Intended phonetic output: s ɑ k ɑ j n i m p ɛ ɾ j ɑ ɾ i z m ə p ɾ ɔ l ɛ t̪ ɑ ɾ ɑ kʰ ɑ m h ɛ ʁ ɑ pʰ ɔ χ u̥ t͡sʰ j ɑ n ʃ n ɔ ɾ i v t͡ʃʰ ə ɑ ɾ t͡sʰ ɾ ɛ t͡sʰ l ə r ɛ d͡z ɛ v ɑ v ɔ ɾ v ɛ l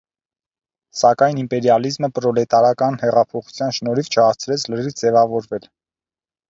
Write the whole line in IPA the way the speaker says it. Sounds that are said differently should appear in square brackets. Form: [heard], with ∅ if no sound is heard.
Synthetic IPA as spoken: s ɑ k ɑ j n i m p ɛ ɾ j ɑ [l] i z m ə p ɾ ɔ l ɛ t̪ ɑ ɾ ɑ [k] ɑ [n] h ɛ ʁ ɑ pʰ ɔ χ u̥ t͡sʰ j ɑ n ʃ n ɔ ɾ i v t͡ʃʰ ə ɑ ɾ t͡sʰ ɾ ɛ t͡sʰ l ə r [i] d͡z ɛ v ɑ v ɔ ɾ v ɛ l